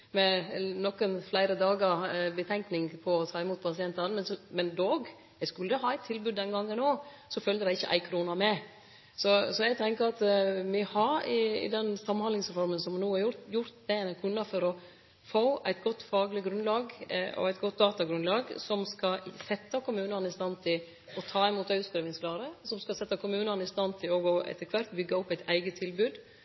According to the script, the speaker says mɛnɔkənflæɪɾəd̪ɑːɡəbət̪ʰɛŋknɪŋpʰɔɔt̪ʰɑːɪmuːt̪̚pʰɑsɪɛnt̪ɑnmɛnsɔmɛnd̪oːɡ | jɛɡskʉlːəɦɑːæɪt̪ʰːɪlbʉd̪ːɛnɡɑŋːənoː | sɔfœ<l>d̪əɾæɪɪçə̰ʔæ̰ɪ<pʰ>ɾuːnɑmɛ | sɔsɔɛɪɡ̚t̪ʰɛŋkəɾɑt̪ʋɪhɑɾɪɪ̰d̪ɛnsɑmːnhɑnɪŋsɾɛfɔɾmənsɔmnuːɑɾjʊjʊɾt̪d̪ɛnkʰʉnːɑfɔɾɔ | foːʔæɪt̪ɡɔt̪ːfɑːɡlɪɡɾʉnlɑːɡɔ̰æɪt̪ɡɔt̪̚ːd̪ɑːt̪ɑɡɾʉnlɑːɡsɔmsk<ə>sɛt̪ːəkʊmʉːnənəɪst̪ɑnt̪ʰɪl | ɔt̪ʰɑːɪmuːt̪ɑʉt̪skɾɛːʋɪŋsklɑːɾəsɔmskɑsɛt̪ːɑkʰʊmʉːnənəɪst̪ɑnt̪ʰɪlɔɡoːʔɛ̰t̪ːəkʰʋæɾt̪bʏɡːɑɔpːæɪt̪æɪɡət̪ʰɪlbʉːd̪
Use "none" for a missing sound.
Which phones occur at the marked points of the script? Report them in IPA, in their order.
l, kʰ, ɑ

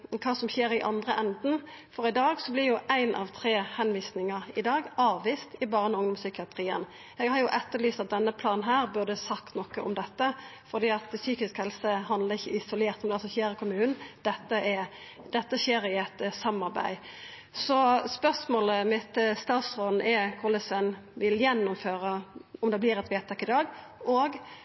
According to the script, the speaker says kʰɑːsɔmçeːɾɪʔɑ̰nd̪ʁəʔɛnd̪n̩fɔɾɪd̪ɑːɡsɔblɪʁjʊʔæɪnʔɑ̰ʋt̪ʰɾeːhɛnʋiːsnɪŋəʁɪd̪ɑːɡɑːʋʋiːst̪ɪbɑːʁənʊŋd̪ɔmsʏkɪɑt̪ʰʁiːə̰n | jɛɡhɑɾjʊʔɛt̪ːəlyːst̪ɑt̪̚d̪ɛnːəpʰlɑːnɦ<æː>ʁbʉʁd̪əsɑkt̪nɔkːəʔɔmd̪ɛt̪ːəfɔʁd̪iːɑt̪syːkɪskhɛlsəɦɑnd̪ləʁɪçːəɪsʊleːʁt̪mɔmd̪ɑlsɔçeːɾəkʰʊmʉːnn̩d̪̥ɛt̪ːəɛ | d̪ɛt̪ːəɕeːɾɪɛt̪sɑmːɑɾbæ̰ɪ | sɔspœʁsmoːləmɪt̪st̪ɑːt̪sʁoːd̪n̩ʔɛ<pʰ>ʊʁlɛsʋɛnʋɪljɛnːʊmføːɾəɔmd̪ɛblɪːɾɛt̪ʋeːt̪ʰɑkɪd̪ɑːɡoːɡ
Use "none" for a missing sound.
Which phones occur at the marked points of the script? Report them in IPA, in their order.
æː, kʰ

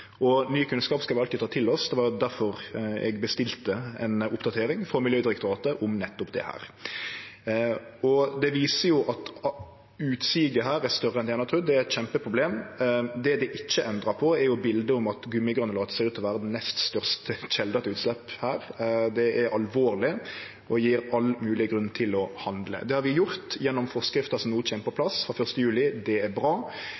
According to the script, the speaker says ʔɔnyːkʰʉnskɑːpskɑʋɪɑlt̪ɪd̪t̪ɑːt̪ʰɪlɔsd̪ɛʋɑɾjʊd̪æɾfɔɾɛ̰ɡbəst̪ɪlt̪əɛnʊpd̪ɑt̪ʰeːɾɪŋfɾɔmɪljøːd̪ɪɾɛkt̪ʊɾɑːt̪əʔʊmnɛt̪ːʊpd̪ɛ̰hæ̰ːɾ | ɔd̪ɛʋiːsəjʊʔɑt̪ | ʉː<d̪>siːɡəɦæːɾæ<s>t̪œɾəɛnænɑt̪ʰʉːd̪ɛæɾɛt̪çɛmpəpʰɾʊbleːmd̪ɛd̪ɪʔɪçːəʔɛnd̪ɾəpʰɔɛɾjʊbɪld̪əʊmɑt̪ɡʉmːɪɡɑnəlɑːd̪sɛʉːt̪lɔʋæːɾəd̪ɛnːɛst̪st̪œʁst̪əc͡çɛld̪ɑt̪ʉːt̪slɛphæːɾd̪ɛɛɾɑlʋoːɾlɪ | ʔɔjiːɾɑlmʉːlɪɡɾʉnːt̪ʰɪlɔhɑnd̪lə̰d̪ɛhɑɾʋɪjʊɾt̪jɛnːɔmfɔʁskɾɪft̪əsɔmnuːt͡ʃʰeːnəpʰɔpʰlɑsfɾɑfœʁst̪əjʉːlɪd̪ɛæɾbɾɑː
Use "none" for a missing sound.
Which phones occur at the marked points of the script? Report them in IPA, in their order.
t̪, s

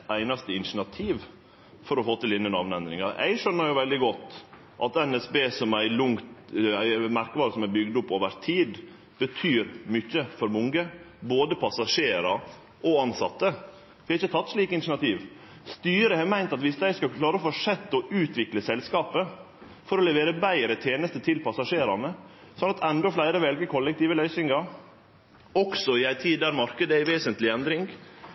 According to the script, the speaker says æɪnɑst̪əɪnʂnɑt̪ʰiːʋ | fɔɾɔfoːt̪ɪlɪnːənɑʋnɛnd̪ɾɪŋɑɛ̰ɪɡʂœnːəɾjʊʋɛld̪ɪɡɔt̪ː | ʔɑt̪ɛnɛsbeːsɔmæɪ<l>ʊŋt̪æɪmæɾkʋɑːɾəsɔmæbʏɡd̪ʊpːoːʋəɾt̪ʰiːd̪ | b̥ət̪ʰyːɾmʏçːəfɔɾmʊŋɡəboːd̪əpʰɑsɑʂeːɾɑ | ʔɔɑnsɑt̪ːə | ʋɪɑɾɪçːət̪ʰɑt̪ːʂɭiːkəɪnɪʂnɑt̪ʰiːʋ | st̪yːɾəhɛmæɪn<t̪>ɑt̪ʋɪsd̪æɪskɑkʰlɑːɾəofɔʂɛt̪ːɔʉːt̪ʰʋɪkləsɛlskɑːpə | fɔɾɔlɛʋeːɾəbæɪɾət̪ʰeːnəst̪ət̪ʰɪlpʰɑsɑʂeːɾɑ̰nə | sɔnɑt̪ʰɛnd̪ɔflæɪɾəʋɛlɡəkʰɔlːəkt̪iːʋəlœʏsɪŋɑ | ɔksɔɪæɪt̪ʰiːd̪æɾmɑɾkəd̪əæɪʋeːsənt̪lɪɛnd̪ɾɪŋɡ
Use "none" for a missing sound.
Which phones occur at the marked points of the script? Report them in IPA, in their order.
l, t̪

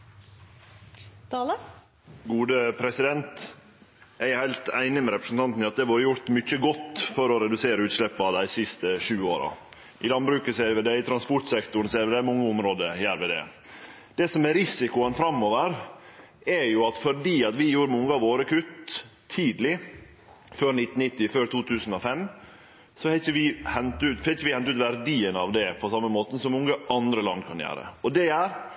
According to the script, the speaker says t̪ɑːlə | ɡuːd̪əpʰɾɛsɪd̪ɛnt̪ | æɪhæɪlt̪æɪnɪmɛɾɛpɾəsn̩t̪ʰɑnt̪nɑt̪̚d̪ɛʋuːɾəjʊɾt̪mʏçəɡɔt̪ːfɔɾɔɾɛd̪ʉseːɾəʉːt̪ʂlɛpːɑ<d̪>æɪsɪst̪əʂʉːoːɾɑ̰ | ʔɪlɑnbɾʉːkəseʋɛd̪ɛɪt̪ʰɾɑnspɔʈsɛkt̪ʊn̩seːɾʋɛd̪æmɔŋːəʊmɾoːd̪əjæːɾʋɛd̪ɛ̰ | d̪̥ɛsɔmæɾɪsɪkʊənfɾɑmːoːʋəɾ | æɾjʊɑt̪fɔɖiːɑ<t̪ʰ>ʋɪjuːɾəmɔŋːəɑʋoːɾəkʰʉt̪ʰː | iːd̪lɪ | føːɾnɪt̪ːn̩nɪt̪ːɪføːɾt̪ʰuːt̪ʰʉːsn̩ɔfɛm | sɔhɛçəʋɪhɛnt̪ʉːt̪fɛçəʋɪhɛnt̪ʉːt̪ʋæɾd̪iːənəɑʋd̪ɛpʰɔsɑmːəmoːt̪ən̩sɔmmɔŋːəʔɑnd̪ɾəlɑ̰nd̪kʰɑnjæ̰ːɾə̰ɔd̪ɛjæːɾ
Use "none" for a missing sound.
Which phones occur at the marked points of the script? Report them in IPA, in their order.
d̪, t̪

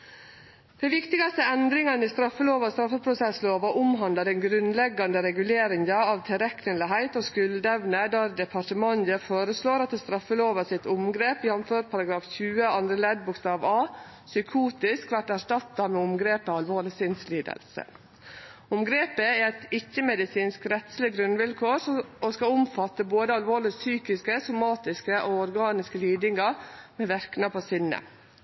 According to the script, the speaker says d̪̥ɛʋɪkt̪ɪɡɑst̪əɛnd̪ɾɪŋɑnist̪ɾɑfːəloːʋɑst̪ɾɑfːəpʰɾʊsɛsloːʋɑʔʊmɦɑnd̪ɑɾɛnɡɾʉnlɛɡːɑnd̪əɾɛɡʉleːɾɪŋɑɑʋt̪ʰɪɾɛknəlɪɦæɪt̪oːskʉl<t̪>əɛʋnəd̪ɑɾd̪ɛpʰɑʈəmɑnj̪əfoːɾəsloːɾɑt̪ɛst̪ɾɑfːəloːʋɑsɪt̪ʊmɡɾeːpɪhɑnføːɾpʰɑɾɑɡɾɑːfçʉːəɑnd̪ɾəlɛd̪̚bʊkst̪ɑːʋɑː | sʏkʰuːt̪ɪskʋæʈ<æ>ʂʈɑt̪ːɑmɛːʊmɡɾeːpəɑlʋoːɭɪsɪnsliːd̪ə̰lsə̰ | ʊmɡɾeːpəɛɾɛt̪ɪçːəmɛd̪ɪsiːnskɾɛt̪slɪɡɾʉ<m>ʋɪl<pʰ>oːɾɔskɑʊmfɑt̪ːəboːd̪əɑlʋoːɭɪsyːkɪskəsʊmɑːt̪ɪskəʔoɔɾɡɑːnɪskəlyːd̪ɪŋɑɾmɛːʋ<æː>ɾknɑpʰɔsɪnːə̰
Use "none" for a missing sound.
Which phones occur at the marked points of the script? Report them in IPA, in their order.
d̪, æ, n, kʰ, æ

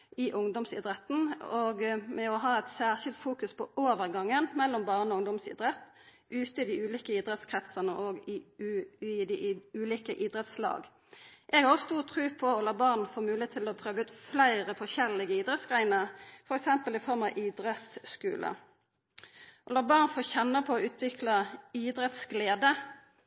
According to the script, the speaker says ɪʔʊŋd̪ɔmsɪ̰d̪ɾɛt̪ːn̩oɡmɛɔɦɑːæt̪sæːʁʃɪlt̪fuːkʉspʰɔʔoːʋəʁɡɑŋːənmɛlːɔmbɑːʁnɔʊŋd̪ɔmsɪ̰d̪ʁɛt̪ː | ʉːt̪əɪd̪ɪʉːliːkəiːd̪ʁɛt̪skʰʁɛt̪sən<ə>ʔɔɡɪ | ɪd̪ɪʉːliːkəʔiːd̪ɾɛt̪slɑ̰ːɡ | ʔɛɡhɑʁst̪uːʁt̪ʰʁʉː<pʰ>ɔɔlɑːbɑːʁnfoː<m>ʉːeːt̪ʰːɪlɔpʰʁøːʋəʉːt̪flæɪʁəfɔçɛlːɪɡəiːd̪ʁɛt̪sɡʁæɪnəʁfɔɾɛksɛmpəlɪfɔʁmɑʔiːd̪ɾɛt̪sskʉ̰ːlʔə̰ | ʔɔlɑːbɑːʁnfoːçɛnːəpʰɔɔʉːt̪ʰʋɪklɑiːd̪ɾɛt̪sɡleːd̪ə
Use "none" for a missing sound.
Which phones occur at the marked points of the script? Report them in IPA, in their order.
ə, pʰ, m

